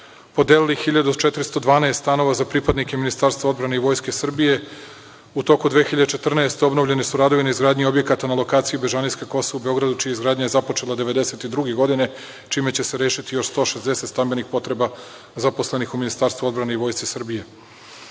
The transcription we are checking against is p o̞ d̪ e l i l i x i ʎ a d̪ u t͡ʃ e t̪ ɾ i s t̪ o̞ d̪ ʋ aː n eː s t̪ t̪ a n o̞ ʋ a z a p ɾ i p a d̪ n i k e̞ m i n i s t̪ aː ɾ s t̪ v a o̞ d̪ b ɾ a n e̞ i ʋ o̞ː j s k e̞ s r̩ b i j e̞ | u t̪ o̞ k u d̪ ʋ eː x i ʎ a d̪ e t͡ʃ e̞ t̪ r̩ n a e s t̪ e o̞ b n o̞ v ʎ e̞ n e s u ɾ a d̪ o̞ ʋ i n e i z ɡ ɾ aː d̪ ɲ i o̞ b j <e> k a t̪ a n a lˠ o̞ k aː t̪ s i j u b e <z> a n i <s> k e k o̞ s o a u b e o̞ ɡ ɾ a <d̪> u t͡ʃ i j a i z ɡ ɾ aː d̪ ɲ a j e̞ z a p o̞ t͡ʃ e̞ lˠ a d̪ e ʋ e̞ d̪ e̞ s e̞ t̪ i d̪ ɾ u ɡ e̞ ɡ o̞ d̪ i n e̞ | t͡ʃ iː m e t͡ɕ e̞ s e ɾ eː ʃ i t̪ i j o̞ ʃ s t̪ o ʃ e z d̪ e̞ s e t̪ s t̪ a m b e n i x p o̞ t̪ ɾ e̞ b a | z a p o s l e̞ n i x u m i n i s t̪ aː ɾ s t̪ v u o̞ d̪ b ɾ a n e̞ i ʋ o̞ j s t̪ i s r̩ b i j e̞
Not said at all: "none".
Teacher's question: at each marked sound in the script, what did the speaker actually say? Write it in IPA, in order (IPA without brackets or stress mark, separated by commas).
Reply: e, ʒ, s, d̪